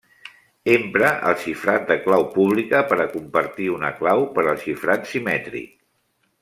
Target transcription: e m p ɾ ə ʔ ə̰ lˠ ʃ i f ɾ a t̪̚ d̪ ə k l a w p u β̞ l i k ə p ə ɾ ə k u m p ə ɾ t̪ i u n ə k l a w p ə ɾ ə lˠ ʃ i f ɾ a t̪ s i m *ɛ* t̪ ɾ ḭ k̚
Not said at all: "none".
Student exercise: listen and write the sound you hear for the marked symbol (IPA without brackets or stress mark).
ɛ